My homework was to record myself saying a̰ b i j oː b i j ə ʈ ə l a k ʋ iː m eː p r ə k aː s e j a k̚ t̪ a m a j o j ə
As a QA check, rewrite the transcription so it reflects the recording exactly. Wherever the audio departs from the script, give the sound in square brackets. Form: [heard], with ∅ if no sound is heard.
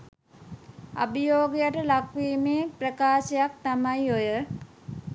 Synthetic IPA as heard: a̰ b i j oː [ɡ] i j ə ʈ ə l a k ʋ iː m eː p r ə k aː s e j a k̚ t̪ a m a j o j ə